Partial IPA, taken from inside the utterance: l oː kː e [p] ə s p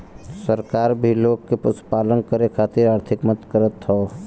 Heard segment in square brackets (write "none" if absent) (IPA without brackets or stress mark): p